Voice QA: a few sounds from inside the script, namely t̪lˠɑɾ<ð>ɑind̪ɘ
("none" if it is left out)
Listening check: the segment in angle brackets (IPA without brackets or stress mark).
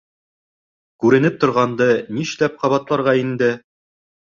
ʁ